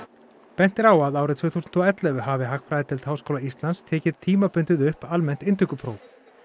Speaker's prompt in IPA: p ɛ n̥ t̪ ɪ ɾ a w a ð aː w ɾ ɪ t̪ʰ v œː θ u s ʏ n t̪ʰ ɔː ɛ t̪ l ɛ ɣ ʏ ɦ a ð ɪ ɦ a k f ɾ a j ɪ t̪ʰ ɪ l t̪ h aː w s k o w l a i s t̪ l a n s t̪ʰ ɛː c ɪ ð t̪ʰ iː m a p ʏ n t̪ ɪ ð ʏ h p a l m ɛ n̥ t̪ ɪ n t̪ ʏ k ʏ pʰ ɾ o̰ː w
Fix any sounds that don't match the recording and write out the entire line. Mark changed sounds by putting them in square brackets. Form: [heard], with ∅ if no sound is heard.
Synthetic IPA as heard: p ɛ n̥ t̪ ɪ ɾ a w a ð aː w ɾ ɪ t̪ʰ v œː θ u s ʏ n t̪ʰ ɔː ɛ t̪ l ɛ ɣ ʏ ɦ a [v] ɪ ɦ a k f ɾ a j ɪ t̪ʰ ɪ l t̪ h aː w s k o w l a i s t̪ l a n s t̪ʰ ɛː c ɪ ð t̪ʰ iː m a p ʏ n t̪ ɪ ð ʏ h p a l m ɛ n̥ t̪ ɪ n t̪ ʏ k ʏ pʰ ɾ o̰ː w